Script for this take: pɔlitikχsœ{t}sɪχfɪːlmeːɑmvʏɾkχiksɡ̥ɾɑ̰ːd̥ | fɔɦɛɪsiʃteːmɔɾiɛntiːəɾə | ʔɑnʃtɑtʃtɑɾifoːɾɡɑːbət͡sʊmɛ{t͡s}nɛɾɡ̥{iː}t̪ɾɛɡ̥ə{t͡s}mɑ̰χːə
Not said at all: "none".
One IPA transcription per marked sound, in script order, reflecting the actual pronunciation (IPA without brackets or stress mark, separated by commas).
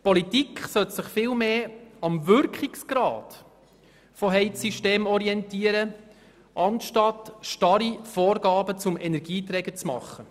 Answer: t, none, iː, t͡s